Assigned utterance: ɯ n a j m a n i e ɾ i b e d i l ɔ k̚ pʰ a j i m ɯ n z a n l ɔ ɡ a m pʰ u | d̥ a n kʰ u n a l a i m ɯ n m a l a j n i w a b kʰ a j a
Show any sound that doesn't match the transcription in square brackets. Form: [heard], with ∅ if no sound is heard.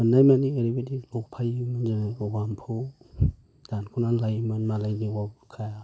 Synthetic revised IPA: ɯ n a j m a n i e ɾ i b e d i l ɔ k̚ pʰ a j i m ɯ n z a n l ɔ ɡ a m pʰ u | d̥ a n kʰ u n a l a [j] m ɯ n m a l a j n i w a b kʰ a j a